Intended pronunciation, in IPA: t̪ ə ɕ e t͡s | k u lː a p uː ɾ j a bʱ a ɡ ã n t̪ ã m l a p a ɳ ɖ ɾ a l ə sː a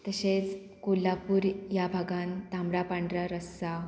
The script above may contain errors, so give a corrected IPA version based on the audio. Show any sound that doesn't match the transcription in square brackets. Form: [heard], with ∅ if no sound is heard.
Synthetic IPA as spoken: t̪ ə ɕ e t͡s | k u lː a p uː ɾ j a bʱ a ɡ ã n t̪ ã m [ɽ] a p a ɳ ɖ ɾ a [ɾ] ə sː a